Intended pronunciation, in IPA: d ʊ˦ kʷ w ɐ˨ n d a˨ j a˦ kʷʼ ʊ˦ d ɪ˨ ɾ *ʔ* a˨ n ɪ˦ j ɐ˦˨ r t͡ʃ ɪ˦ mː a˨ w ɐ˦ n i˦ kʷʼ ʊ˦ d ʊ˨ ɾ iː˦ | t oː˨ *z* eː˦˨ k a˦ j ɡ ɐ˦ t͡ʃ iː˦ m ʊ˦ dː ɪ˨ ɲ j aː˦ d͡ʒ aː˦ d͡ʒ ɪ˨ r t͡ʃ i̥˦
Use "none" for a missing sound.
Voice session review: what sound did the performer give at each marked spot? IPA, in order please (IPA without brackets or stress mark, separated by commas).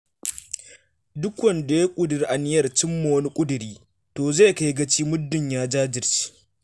ʔ, z